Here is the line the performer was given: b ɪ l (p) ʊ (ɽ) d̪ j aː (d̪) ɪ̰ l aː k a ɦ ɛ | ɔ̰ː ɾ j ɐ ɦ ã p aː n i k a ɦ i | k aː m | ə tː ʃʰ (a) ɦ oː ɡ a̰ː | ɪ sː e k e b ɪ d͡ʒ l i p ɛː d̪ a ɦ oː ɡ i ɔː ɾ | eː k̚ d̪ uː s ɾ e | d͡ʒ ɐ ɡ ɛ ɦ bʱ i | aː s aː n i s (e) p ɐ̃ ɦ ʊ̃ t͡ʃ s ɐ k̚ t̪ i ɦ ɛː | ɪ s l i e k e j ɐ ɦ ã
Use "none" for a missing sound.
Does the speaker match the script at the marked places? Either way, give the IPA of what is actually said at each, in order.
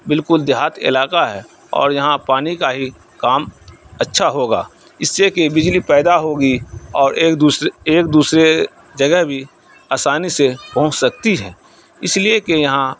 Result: k, l, t̪, a, e

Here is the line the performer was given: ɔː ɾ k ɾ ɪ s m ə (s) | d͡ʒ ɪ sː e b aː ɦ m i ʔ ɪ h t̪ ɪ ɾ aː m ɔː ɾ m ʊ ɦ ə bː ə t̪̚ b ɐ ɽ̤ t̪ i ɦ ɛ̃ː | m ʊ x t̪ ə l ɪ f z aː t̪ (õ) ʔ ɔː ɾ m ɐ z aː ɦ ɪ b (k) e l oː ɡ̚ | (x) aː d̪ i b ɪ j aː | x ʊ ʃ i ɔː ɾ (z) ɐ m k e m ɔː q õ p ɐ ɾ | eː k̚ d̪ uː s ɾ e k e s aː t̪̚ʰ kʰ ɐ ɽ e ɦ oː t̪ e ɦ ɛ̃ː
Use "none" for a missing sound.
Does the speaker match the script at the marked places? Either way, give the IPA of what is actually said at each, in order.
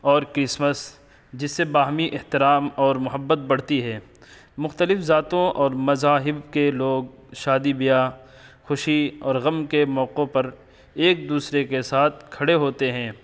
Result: s, õ, k, ʃ, ɣ

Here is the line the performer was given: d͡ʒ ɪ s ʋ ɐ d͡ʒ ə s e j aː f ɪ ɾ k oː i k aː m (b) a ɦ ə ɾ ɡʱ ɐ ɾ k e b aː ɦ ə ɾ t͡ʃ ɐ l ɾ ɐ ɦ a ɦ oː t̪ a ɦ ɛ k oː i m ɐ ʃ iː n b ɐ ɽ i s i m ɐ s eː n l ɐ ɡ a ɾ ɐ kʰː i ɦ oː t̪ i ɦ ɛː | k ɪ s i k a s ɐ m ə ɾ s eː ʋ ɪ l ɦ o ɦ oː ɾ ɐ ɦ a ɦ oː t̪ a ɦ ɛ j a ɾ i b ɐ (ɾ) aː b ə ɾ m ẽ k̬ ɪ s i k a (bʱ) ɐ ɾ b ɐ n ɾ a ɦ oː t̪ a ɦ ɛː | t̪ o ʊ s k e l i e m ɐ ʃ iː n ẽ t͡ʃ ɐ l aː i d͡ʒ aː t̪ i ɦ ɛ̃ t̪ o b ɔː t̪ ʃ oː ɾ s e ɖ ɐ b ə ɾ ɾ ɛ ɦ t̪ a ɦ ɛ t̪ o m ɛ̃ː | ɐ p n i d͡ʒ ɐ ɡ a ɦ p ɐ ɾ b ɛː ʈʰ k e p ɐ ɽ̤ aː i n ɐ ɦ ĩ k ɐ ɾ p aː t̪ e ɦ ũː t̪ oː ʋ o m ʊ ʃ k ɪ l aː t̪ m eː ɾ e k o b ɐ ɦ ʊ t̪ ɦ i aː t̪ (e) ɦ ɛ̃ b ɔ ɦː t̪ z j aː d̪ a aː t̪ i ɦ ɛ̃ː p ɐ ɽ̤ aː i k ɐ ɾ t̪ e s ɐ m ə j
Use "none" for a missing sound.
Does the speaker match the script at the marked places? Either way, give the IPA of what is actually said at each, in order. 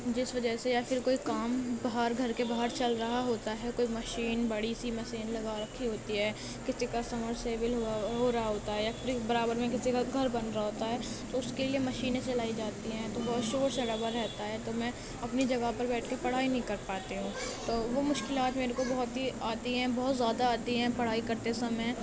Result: b, ɾ, ɡʱ, i

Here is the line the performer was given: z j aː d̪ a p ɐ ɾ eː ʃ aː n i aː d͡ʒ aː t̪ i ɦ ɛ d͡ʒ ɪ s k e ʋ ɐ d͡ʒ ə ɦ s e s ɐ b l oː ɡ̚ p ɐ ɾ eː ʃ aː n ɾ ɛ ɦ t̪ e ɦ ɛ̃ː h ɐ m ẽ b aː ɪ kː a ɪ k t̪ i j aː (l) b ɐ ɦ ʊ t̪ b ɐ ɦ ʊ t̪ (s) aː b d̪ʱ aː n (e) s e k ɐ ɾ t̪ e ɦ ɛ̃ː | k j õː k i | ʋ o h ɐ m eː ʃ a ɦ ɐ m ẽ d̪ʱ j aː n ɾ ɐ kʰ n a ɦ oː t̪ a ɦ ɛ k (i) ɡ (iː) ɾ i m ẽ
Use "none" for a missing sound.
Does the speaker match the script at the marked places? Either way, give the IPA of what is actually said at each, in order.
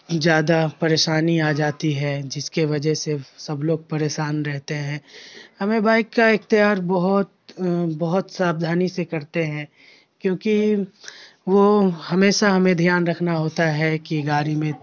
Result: ɾ, s, i, i, aː

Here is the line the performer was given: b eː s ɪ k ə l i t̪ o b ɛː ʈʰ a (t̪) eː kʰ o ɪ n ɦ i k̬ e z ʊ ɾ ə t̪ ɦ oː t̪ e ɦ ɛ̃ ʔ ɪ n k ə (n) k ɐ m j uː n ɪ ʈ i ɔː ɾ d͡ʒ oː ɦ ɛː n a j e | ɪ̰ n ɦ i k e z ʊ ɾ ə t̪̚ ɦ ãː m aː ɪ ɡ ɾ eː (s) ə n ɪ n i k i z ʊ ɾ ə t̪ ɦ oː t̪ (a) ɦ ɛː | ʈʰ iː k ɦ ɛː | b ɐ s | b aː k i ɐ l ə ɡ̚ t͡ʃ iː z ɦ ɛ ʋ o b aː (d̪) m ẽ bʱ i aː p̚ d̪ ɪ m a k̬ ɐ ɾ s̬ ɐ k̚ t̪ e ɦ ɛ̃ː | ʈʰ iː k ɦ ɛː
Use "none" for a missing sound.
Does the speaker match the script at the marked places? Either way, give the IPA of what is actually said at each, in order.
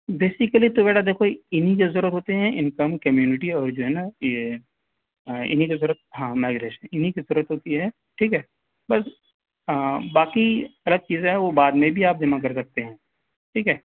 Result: d̪, m, ʃ, i, d̪

